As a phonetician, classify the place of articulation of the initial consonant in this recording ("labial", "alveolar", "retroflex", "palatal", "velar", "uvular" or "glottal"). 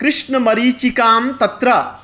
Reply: velar